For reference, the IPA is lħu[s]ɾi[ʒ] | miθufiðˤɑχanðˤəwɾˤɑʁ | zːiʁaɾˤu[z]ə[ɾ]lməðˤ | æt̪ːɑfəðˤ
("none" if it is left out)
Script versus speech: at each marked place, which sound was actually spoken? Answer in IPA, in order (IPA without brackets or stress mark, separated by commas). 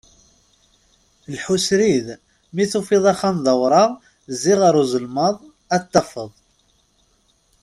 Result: s, ð, z, none